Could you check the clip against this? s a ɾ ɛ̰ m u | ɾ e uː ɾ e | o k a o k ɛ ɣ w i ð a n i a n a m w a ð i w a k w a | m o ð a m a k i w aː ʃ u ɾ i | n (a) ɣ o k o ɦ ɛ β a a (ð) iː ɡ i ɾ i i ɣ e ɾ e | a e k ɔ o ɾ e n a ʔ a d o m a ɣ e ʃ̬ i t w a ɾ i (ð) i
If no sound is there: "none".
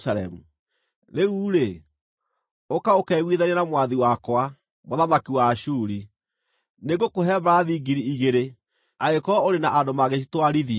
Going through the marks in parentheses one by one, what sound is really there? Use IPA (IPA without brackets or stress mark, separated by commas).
e, ð, ð